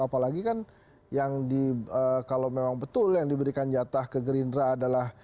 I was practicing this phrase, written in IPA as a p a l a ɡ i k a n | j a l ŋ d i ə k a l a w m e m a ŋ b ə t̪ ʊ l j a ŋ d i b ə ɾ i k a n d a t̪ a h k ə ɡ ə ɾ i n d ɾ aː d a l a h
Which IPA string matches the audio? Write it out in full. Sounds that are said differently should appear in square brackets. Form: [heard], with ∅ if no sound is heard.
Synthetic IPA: a p a l a ɡ i k a n | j a [∅] ŋ d i ə k a l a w m e m a ŋ b ə t̪ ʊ l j a ŋ d i b ə ɾ i k a n [d͡ʒ] a t̪ a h k ə ɡ ə ɾ i n d ɾ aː d a l a h